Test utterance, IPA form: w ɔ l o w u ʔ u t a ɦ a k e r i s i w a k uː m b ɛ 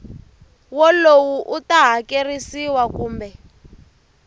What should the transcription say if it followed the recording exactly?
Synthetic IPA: w ɔ l o w u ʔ u t a ɦ a k e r i s i w a k uː m b ɛ